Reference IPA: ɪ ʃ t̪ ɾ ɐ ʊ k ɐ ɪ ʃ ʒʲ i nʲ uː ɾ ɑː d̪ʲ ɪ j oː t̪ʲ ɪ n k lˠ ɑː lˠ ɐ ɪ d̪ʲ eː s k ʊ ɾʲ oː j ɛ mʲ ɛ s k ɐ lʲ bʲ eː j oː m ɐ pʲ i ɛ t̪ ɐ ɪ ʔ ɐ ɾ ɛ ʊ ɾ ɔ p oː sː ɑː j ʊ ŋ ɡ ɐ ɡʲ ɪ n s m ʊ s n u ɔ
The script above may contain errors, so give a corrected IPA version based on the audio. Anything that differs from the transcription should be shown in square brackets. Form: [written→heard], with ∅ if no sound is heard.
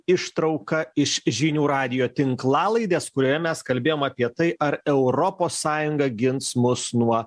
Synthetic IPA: ɪ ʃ t̪ ɾ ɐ ʊ k ɐ ɪ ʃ ʒʲ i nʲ uː ɾ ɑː d̪ʲ ɪ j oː t̪ʲ ɪ [n→ŋ] k lˠ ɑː lˠ ɐ ɪ d̪ʲ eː s k ʊ ɾʲ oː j ɛ mʲ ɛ s k ɐ lʲ bʲ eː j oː m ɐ pʲ i ɛ t̪ ɐ ɪ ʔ ɐ ɾ ɛ ʊ ɾ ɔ p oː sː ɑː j ʊ ŋ ɡ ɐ ɡʲ ɪ n s m ʊ s n u ɔ